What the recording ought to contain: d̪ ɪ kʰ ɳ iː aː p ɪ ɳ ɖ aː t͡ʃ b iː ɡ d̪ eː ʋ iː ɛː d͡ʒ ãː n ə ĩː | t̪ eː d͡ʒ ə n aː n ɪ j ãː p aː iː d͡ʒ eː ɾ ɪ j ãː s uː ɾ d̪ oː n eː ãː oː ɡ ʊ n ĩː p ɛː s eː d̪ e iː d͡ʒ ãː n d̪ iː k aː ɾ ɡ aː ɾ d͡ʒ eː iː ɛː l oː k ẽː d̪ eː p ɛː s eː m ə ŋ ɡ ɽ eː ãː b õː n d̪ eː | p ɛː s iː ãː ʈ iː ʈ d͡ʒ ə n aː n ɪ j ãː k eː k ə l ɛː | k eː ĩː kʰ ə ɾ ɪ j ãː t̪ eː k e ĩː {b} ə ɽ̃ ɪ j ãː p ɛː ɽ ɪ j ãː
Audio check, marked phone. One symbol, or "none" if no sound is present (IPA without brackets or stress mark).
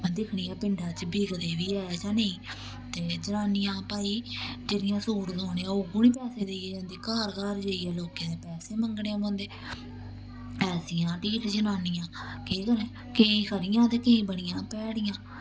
b